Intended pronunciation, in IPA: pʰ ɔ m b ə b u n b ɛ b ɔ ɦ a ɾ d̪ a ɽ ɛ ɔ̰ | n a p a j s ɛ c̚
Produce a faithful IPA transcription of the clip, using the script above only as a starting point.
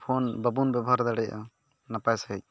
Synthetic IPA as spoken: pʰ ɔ n b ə b u n b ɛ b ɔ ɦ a ɾ d̪ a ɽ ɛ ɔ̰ | n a p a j s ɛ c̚